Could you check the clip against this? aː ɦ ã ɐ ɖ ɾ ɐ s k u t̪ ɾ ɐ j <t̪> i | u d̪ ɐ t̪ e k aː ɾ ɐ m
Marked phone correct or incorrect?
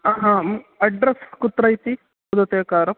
correct